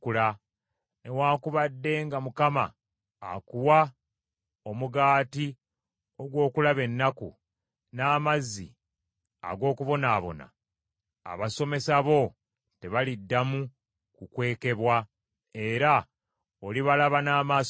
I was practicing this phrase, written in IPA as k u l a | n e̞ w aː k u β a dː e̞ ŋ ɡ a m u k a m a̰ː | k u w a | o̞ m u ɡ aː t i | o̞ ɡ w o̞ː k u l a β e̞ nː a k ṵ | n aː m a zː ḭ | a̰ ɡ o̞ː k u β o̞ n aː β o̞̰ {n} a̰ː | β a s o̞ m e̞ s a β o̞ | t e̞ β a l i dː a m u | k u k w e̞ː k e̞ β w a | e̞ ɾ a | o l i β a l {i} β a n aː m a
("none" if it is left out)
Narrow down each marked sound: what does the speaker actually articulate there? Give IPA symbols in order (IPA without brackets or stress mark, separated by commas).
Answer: n, a